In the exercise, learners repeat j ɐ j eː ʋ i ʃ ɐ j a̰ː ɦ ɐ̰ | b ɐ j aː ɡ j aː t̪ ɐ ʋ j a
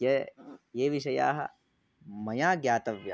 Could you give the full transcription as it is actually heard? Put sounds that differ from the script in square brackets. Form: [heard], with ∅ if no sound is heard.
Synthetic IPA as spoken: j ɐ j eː ʋ i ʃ ɐ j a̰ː ɦ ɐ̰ | [m] ɐ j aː ɡ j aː t̪ ɐ ʋ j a